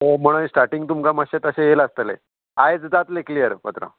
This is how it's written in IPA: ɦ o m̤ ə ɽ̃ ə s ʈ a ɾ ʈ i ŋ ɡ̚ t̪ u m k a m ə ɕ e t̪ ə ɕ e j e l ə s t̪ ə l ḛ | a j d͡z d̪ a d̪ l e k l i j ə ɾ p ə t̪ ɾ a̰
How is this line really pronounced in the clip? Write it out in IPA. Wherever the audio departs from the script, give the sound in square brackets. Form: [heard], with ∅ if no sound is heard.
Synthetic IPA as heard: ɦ o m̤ ə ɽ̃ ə s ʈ a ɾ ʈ i ŋ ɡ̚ t̪ u m k a m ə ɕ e t̪ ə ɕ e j e l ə s t̪ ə l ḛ | a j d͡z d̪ a [t̪] l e k l i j ə ɾ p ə t̪ ɾ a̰